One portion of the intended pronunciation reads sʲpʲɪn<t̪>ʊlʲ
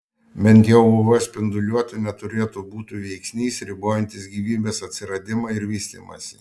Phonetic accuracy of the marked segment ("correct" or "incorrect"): incorrect